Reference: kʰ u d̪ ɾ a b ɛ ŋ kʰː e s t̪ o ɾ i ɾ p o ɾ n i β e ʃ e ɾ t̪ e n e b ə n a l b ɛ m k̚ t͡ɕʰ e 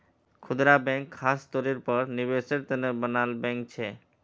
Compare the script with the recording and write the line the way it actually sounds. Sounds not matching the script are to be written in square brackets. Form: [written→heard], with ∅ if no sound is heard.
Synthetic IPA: kʰ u d̪ ɾ a b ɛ ŋ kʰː [e→a] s t̪ o ɾ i ɾ p [o→ɔ] ɾ n i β e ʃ e ɾ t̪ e n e b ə n a l b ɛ [m→ŋ] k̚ t͡ɕʰ e